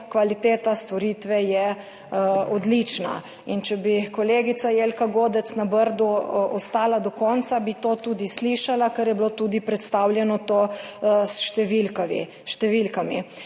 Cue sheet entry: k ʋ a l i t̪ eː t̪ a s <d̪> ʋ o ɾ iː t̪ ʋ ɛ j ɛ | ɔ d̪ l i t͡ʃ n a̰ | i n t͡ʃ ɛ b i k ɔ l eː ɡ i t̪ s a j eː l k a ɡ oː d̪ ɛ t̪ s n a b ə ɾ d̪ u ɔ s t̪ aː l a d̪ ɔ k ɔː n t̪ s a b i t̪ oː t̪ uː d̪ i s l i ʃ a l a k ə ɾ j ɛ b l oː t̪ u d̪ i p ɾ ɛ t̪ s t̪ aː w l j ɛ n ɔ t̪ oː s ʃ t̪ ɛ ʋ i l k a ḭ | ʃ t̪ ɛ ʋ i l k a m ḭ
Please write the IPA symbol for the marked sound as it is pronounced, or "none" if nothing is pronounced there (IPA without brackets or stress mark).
t̪